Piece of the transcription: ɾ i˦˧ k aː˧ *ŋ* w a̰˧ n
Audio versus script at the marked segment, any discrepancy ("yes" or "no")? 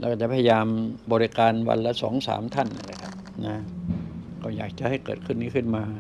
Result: yes